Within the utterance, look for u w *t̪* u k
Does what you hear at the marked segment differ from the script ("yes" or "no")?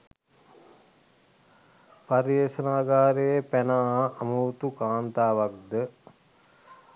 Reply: no